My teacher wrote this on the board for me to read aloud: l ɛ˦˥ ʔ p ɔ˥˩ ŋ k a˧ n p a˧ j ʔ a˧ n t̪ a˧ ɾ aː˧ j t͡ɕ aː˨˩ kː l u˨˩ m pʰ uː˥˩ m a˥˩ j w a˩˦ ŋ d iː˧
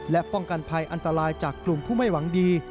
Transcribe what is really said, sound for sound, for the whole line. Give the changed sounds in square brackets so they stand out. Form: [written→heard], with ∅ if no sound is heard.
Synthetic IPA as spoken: l ɛ˦˥ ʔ p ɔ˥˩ ŋ k a˧ n [p→pʰ] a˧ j ʔ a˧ n t̪ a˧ ɾ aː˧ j t͡ɕ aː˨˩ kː l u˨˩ m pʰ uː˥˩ m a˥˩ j w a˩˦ ŋ d iː˧